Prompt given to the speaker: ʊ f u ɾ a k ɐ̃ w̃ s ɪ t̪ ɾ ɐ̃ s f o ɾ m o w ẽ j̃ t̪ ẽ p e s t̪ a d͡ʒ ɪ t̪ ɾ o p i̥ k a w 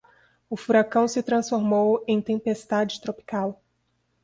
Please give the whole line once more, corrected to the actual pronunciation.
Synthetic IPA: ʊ f u ɾ a k ɐ̃ w̃ s ɪ t̪ ɾ ɐ̃ s f o ɾ m o w ẽ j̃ t̪ ẽ p e s t̪ a d͡ʒ ɪ t̪ ɾ o p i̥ k a w